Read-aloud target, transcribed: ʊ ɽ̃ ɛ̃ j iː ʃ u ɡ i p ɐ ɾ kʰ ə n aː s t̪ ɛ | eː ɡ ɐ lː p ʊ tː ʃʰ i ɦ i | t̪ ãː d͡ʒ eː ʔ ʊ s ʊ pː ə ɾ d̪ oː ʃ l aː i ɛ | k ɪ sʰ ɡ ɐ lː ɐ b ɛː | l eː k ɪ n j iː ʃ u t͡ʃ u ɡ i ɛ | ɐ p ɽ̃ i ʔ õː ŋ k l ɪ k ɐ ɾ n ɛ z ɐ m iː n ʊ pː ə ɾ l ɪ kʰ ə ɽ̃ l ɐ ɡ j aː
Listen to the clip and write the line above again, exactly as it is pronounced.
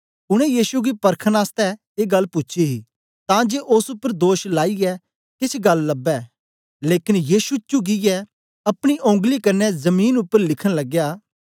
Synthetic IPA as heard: ʊ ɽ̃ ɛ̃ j iː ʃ u ɡ i p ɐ ɾ kʰ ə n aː s t̪ ɛ | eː ɡ ɐ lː p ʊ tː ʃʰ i ɦ i | t̪ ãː d͡ʒ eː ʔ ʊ s ʊ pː ə ɾ d̪ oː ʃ l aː i ɛ | k ɪ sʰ ɡ ɐ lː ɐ b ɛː | l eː k ɪ n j iː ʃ u t͡ʃ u ɡ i ɛ | ɐ p ɽ̃ i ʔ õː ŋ ɡ l i k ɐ ɾ n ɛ z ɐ m iː n ʊ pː ə ɾ l ɪ kʰ ə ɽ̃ l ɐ ɡ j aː